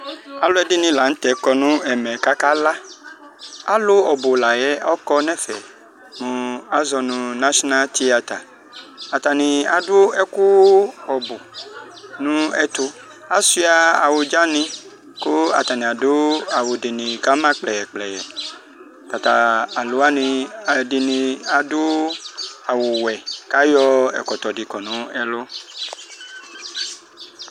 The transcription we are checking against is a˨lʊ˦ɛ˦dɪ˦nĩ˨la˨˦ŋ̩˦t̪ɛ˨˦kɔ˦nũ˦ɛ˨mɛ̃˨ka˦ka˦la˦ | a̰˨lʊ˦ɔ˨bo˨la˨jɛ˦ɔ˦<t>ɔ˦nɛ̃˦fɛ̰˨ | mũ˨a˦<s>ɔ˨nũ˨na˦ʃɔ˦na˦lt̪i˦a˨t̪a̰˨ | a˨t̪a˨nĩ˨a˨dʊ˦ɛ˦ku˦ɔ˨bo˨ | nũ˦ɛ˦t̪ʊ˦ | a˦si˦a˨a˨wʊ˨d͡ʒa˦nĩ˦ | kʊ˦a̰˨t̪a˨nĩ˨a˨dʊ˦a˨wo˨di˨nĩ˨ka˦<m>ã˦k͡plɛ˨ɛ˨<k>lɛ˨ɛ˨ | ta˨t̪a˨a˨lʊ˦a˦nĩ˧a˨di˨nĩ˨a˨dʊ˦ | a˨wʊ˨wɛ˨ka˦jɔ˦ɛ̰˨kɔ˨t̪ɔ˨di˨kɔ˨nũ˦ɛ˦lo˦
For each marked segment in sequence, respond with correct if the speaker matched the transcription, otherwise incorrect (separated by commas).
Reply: incorrect, incorrect, correct, incorrect